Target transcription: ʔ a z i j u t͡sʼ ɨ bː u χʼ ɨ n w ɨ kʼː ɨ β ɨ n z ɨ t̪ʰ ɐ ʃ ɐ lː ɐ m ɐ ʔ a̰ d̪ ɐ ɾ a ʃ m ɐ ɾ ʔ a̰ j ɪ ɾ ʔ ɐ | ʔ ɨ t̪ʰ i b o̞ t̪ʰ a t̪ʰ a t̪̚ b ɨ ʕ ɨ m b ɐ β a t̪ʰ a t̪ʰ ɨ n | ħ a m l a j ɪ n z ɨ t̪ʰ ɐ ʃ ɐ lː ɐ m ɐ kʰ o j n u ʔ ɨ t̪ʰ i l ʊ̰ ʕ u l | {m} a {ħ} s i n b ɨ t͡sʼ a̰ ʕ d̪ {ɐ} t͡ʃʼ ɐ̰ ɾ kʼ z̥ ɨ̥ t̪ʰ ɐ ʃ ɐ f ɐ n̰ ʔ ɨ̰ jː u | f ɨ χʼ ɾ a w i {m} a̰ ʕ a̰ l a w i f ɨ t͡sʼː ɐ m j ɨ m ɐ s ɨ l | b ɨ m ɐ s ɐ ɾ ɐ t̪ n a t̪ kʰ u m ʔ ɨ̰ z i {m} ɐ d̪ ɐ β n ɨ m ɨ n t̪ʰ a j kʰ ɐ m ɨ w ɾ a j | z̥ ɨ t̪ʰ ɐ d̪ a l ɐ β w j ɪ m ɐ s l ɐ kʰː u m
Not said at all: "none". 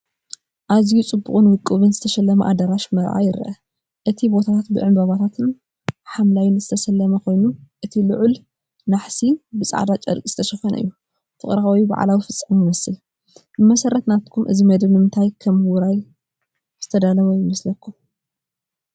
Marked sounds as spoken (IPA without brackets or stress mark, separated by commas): n, ħ, a, b, m